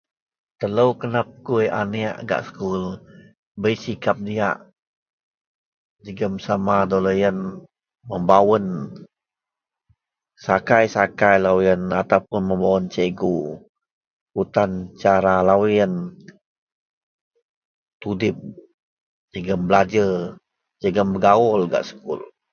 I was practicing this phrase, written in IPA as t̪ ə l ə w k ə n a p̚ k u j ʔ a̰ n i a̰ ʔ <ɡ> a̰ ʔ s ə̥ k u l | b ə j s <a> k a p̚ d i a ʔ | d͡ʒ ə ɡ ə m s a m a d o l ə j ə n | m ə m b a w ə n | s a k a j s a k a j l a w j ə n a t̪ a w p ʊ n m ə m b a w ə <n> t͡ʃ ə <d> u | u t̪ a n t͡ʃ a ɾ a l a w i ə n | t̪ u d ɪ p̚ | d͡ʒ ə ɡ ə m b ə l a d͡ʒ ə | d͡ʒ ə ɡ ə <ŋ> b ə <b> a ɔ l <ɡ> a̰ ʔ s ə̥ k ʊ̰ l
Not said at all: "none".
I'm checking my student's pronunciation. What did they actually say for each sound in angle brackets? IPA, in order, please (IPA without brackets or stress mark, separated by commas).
ɡ, i, n, ɡ, m, ɡ, ɡ